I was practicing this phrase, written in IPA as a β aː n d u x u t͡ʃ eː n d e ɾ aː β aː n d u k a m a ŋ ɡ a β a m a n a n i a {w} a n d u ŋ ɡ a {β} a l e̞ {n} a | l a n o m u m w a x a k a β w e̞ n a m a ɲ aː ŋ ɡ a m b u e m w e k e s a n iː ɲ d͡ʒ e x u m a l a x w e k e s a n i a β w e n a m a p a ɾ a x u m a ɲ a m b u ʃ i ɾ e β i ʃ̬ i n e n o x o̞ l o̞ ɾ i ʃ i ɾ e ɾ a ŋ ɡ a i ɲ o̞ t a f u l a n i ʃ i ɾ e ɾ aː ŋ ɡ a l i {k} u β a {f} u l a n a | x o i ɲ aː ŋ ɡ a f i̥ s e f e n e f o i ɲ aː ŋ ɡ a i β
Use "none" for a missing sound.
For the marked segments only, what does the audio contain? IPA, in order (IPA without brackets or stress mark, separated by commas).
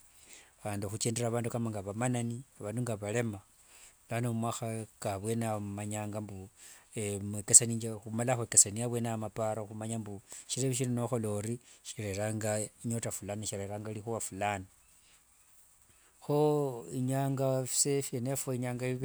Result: β, β, m, x, f